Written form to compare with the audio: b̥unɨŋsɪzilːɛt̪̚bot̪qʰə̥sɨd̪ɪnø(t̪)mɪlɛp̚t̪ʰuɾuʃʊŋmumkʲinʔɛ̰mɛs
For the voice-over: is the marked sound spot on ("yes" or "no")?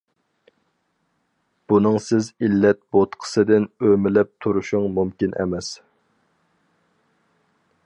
no